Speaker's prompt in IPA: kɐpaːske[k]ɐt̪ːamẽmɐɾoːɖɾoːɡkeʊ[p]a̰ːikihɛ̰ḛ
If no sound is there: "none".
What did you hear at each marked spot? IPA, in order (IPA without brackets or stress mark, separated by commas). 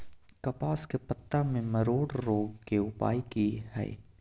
p, p